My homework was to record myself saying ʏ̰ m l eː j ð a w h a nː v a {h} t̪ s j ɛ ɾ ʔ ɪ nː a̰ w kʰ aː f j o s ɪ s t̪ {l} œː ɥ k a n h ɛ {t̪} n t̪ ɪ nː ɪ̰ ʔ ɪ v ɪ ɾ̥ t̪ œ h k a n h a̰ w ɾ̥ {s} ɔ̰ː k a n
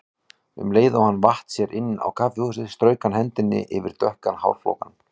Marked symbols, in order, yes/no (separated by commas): yes, no, no, no